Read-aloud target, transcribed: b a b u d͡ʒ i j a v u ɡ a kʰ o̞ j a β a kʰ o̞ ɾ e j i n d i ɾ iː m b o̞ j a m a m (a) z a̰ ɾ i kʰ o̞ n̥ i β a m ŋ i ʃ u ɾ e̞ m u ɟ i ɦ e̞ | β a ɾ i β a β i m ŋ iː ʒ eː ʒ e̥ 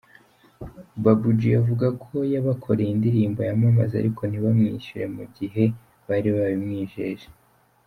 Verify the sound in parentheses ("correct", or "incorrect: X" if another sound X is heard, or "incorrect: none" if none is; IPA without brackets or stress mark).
correct